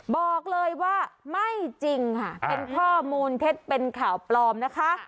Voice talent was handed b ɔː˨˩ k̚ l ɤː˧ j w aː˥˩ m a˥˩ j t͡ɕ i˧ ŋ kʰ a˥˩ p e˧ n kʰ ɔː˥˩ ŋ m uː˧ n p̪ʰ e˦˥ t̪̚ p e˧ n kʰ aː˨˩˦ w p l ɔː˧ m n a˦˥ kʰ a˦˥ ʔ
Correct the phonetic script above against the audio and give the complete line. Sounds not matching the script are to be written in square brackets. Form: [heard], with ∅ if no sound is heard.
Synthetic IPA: b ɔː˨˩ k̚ l ɤː˧ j w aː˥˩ m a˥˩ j t͡ɕ i˧ ŋ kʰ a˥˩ p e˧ n kʰ ɔː˥˩ [∅] m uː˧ n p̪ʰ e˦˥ t̪̚ p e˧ n kʰ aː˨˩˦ w p l ɔː˧ m n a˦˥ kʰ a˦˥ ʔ